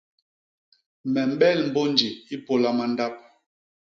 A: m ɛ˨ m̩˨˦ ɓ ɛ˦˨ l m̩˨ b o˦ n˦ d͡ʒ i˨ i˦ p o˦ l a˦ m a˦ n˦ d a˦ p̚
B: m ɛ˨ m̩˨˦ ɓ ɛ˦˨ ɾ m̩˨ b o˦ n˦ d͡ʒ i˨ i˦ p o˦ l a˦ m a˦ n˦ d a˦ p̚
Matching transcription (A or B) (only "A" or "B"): A